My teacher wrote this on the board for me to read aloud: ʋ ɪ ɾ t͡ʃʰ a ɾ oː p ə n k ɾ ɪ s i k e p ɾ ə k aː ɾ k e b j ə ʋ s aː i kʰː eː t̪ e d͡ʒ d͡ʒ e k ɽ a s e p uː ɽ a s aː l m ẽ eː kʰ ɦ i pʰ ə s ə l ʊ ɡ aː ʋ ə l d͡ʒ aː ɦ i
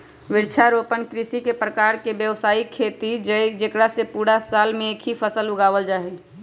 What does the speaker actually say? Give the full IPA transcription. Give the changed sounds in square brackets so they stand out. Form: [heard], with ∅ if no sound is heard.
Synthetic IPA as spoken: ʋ ɪ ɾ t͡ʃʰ a ɾ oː p ə n k ɾ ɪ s i k e p ɾ ə k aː ɾ k e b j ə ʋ s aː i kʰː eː t̪ [i] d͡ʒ d͡ʒ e k ɽ a s e p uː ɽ a s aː l m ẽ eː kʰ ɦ i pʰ ə s ə l ʊ ɡ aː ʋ ə l d͡ʒ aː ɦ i